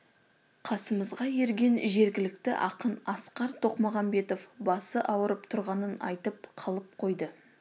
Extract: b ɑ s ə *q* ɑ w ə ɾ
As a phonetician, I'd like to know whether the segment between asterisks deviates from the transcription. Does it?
yes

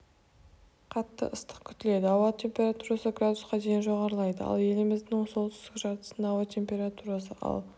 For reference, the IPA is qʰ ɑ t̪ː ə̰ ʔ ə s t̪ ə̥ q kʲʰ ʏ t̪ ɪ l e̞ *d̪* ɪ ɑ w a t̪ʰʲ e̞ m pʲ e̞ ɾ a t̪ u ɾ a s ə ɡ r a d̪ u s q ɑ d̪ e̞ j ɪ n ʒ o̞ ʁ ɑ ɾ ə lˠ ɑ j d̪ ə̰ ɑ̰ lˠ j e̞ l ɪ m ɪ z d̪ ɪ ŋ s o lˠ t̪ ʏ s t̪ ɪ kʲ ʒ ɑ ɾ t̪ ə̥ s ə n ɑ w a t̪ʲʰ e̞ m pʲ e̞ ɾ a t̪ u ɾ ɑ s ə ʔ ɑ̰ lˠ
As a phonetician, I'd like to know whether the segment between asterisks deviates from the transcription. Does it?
no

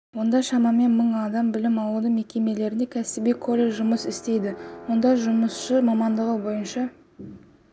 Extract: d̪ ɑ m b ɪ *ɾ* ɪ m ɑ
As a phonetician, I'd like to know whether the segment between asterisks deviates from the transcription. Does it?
yes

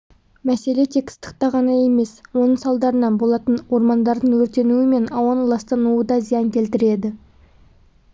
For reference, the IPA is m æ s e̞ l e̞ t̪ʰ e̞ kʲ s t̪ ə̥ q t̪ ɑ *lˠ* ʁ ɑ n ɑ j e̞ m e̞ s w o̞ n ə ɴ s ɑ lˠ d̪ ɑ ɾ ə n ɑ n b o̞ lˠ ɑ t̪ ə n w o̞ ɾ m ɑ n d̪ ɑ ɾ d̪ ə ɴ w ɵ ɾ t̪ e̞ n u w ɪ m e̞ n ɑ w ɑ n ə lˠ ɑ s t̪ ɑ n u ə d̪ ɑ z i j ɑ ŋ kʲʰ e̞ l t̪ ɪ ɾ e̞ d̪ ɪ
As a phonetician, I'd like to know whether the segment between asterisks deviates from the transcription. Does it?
yes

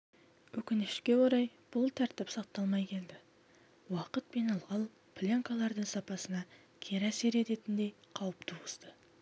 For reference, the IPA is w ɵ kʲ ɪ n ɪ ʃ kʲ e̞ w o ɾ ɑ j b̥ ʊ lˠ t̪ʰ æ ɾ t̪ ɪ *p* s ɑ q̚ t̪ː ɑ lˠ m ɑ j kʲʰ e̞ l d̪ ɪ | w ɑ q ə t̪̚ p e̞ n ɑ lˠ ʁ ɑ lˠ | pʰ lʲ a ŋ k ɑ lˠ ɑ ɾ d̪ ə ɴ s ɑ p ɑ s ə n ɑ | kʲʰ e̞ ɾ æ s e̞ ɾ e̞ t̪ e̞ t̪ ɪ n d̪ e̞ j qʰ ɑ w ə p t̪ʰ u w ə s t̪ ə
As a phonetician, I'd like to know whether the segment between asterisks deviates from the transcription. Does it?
no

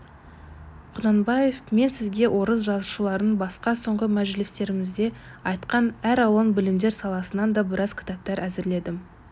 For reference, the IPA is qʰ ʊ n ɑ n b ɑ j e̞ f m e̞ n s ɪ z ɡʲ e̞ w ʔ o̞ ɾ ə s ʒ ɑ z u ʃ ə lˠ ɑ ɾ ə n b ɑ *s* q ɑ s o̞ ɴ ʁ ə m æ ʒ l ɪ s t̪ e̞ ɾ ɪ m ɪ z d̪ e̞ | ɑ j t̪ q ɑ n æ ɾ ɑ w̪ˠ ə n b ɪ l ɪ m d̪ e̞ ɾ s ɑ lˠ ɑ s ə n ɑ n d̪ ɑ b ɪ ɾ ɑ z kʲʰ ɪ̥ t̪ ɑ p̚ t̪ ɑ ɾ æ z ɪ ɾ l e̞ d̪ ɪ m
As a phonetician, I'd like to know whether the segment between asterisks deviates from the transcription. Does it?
no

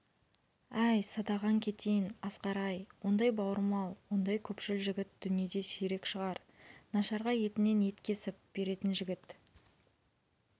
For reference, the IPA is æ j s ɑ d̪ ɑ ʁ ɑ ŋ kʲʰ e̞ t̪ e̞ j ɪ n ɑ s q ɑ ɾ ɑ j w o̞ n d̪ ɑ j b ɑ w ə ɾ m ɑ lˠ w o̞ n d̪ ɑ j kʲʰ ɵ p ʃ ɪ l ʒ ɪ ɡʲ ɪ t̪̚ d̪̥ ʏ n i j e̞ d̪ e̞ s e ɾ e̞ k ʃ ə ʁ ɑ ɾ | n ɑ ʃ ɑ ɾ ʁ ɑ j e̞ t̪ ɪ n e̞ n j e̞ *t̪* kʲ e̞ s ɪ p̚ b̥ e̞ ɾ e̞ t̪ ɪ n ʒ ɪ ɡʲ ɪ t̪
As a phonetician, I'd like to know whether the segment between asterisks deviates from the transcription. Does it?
no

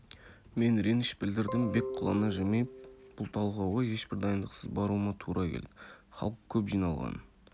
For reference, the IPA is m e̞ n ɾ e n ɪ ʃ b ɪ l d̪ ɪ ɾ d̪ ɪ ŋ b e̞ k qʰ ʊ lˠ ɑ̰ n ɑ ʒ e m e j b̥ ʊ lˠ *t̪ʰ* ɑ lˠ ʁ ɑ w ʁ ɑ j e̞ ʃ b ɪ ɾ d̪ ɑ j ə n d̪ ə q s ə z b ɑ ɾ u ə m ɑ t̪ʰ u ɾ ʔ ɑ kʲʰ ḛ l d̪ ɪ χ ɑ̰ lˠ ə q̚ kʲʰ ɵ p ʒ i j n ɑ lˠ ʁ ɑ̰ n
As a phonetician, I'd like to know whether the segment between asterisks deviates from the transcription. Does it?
no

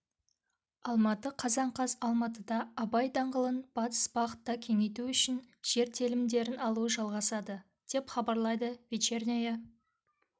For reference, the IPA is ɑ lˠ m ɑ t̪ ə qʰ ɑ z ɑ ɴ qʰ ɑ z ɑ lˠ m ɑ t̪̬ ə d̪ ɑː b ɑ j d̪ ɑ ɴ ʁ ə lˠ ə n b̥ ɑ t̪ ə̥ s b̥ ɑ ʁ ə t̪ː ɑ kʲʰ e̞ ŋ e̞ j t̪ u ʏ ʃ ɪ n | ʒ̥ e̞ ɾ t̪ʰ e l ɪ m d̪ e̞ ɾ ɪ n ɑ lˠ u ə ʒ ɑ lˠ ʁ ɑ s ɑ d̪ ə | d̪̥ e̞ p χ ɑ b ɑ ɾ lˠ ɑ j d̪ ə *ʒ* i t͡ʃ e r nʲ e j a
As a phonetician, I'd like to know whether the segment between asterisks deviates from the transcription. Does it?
yes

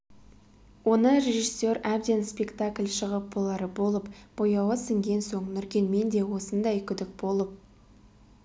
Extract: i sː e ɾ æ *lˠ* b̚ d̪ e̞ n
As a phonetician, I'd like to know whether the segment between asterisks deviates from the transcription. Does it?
yes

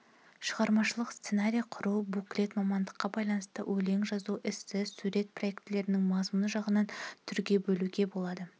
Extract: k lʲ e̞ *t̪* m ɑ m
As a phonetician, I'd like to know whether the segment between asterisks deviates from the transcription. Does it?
no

